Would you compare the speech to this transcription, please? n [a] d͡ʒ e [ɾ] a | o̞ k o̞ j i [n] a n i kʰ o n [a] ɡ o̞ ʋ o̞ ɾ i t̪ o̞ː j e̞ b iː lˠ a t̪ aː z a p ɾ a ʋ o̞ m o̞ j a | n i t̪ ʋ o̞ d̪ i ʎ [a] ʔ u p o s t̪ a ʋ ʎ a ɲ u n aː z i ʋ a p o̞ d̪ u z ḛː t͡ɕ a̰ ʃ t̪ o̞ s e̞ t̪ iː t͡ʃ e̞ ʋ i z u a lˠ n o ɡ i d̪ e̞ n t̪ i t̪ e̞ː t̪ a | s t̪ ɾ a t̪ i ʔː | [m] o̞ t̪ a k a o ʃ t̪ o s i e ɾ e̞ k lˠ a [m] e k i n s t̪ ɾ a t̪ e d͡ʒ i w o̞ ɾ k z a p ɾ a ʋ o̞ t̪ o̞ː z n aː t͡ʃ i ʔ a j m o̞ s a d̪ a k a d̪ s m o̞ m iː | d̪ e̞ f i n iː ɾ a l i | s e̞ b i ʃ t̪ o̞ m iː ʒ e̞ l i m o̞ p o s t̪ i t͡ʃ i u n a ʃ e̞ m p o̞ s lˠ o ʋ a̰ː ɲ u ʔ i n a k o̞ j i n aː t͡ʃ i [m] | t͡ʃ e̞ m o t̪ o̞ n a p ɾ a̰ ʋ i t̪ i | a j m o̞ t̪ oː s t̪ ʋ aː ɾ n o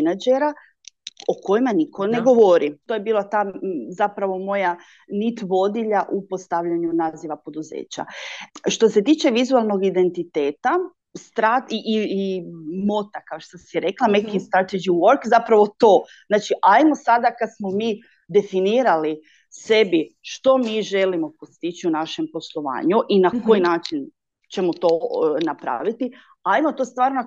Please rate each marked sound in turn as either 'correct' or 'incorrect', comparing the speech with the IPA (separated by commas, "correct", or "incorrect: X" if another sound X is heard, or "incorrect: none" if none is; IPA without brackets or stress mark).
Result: correct, correct, incorrect: m, incorrect: e, correct, correct, correct, incorrect: n